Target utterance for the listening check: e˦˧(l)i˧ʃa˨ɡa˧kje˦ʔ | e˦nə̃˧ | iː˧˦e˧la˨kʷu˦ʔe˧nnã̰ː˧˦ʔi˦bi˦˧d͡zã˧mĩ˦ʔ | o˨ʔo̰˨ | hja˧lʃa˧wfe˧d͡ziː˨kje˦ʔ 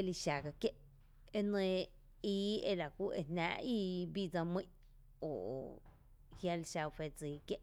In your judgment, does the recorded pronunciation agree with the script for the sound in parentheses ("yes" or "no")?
yes